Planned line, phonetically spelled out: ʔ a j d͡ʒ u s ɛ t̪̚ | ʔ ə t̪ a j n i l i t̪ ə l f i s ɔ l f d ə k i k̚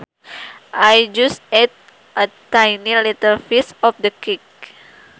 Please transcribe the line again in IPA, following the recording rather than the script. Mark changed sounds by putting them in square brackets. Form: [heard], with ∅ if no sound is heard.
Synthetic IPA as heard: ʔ a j d͡ʒ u s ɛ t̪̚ | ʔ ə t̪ a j n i l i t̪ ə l f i s ɔ [∅] f d ə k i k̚